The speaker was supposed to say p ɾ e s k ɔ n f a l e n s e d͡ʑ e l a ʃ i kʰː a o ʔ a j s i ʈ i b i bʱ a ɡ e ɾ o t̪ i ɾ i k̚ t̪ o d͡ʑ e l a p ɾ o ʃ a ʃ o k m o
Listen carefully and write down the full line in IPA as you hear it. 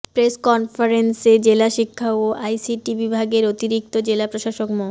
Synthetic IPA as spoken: p ɾ e s k ɔ n f a ɾ e n s e d͡ʑ e l a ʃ i kʰː a o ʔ a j s i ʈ i b i bʱ a ɡ e ɾ o t̪ i ɾ i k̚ t̪ o d͡ʑ e l a p ɾ o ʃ a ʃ o k m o